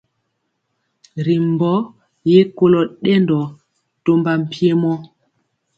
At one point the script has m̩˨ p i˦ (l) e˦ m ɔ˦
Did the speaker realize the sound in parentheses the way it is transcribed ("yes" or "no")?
no